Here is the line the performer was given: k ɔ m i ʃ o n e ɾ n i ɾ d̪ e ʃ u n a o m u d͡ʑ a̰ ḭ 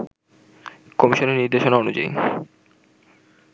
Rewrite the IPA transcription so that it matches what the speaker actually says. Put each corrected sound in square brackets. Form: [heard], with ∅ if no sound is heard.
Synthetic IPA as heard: k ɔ m i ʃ o n e ɾ n i ɾ d̪ e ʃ [o] n a o [n] u d͡ʑ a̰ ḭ